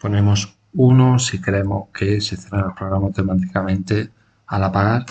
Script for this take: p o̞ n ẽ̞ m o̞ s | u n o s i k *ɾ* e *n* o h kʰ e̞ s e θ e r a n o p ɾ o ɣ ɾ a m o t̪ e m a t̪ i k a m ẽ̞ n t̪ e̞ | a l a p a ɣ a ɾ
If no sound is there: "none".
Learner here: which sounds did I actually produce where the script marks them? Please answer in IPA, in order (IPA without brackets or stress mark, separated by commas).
ɾ, m